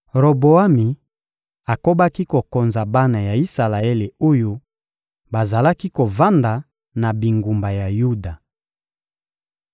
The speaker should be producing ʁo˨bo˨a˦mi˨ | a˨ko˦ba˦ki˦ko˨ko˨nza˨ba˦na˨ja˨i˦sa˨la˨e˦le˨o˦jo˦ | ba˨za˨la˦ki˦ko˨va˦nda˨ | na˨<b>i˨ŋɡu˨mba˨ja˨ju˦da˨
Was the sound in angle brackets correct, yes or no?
yes